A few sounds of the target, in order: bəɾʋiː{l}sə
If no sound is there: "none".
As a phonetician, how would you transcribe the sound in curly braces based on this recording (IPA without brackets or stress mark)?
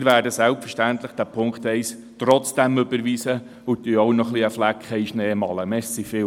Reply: none